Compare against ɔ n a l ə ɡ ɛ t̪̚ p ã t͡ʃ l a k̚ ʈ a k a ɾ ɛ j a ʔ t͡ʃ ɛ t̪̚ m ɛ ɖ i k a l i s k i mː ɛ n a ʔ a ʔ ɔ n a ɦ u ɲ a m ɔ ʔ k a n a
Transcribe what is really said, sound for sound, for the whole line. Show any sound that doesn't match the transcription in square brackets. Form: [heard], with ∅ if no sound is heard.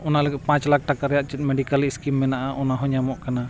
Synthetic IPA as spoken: ɔ n a l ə ɡ ɛ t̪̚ p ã t͡ʃ l a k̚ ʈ a k a ɾ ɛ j a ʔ t͡ʃ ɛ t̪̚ m ɛ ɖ i k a l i s k i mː ɛ n a ʔ a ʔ ɔ n a ɦ [ɔ] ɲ a m ɔ ʔ k a n a